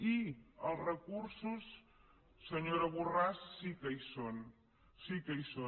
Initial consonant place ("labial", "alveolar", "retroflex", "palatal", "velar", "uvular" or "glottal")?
alveolar